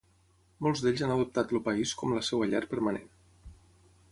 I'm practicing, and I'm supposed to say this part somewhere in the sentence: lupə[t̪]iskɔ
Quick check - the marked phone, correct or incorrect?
incorrect